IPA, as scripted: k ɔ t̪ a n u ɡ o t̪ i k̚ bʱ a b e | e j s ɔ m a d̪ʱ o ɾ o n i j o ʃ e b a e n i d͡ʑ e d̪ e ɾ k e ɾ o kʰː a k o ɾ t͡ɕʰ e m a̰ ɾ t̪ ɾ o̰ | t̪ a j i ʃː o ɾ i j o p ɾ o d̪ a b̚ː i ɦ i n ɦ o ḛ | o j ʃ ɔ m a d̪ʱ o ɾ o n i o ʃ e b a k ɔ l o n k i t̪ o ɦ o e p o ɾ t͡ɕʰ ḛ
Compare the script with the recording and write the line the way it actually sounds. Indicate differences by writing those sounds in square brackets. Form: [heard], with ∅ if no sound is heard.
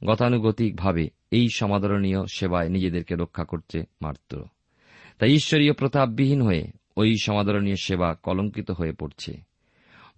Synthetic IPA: [ɡ] ɔ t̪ a n u ɡ o t̪ i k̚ bʱ a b e | e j [ʃ] ɔ m a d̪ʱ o ɾ o n i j o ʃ e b a e n i d͡ʑ e d̪ e ɾ k e ɾ o kʰː a k o ɾ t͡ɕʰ e m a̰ ɾ t̪ ɾ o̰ | t̪ a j i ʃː o ɾ i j o p ɾ o [t̪] a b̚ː i ɦ i n ɦ o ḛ | o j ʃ ɔ m a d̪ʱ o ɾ o n i o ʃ e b a k ɔ l o [ŋ] k i t̪ o ɦ o e p o ɾ t͡ɕʰ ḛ